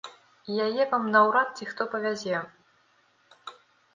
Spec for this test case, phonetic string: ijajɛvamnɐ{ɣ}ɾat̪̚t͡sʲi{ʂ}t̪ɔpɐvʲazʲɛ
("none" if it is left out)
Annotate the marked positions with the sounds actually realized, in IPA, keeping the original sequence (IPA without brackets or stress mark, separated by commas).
w, x